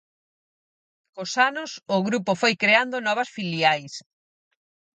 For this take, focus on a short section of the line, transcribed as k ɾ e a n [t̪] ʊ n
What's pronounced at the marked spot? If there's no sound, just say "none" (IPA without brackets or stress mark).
d̪